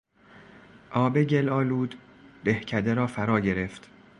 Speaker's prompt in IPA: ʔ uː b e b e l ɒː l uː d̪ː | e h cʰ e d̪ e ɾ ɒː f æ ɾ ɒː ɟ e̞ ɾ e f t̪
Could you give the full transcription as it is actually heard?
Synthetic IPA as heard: ʔ ɒː b e ɟ e l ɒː l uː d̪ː | e h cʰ æ d̪ e ɾ ɒː f æ ɾ ɒː ɟ e̞ ɾ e f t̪